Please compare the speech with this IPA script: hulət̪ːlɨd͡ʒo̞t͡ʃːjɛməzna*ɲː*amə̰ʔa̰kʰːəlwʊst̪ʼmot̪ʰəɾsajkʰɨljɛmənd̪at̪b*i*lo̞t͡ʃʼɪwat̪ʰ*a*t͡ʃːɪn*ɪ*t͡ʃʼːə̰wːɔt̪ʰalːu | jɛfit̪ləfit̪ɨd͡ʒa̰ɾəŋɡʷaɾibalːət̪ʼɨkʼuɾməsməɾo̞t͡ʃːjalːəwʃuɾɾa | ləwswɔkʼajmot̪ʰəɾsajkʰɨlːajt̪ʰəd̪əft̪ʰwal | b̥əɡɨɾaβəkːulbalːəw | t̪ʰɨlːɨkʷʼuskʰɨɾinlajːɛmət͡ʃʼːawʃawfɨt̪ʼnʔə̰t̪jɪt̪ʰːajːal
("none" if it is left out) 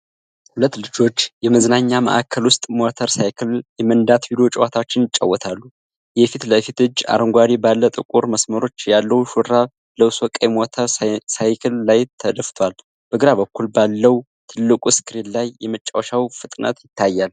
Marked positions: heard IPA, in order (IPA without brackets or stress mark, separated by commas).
ɲː, i, a, ɪ